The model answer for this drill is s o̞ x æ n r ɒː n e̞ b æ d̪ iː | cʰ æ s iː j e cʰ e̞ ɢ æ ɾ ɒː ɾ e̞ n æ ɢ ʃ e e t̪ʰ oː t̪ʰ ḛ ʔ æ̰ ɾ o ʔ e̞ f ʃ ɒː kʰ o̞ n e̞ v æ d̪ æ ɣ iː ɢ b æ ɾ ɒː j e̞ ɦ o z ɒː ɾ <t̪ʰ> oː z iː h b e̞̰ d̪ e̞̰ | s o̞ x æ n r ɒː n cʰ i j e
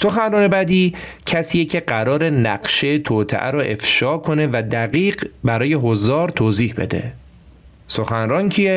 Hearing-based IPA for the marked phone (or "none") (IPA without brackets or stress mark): t̪ʰ